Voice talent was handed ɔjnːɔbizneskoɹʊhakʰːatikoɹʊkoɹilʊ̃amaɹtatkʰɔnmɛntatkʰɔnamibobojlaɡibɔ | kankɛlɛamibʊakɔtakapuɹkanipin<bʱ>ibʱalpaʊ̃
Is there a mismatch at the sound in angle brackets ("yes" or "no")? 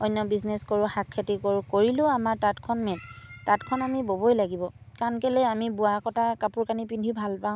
yes